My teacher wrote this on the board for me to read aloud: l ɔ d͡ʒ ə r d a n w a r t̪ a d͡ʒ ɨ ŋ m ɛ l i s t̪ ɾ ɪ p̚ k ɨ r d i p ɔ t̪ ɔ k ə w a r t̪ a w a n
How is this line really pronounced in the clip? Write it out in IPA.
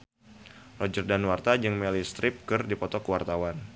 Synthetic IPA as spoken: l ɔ d͡ʒ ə r d a n w a r t̪ a d͡ʒ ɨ ŋ m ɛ l i s t̪ ɾ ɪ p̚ k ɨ r d i p ɔ t̪ ɔ k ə w a r t̪ a w a n